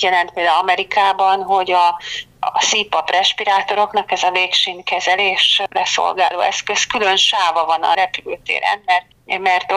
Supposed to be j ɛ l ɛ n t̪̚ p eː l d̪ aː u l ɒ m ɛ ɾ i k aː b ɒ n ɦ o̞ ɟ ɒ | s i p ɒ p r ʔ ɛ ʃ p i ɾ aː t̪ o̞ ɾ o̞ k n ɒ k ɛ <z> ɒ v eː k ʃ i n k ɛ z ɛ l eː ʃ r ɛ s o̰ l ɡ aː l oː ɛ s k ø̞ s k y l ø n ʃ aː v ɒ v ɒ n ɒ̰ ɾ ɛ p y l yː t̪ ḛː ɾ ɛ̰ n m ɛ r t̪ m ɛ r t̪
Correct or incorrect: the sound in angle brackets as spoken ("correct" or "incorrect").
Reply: correct